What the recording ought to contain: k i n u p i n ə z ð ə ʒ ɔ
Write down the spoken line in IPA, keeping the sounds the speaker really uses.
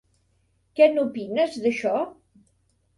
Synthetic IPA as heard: k ɛ n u p i n ə z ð ə ʃ ɔ

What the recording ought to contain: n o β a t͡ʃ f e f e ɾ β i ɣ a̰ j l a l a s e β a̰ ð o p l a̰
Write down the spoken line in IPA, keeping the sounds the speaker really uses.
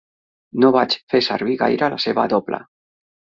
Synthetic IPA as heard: n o β a t͡ʃ f e s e ɾ β i ɣ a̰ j ɾ a l a s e β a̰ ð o p l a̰

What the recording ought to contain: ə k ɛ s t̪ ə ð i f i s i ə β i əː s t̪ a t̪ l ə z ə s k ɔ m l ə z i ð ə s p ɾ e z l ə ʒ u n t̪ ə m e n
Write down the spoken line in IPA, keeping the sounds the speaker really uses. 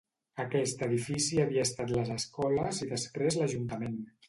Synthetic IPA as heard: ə k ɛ s t̪ ə ð i f i s i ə β i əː s t̪ a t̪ l ə z ə s k ɔ l ə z i ð ə s p ɾ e z l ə ʒ u n t̪ ə m e n

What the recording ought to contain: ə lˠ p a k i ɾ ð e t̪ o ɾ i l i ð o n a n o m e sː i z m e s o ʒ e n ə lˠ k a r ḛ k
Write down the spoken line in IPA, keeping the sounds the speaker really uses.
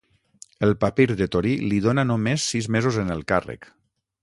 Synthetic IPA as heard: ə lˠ p a p i ɾ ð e t̪ o ɾ i l i ð o n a n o m e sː i z m e z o z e n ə lˠ k a r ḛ k

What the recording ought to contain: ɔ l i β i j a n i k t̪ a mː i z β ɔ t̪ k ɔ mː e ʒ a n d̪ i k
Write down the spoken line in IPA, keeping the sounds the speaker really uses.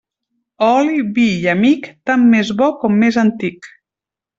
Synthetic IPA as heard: ɔ l i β i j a m i k t̪ a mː e z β ɔ k ɔ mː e z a n t̪ i k

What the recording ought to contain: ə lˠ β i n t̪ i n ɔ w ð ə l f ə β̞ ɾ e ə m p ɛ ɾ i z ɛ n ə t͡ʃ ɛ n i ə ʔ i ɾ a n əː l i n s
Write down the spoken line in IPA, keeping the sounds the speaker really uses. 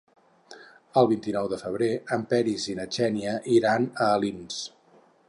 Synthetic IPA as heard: ə lˠ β i n t̪ i n ɔ w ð ə f ə β̞ ɾ e ə m p ɛ ɾ i z i n ə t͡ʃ ɛ n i ə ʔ i ɾ a n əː l i n s

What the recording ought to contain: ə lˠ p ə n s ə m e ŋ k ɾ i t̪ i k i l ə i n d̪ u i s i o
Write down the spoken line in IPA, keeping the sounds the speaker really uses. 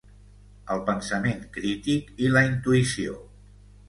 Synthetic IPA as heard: ə lˠ p ə n s ə m e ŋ k ɾ i t̪ i k i l ə i n t̪ u i s i o

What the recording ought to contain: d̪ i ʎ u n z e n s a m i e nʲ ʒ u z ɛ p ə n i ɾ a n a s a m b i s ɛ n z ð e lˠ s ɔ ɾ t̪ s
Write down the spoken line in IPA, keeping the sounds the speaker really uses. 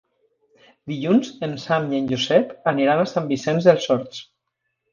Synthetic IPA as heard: d̪ i ʎ u n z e n s a m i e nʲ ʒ u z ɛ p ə n i ɾ a n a s a m b i s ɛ n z ð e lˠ s ɔ ɾ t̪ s

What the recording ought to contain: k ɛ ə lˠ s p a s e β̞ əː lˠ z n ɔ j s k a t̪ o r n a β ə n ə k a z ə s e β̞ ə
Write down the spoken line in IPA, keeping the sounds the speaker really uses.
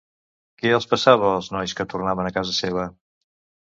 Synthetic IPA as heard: k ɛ ə lˠ s p ə s a β̞ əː lˠ z n ɔ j s k ə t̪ u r n a β ə n ə k a z ə s e β̞ ə

